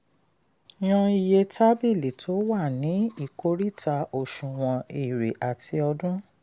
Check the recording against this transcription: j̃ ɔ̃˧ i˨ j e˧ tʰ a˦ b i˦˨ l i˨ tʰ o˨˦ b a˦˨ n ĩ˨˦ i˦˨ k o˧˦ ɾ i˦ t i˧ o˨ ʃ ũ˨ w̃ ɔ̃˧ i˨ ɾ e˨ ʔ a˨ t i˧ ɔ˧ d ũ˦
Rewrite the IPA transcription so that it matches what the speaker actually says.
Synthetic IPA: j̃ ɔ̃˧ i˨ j e˧ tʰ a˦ b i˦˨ l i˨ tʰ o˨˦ w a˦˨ n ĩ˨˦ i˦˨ k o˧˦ ɾ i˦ t a˧ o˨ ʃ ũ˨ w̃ ɔ̃˧ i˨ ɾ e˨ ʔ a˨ t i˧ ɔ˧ d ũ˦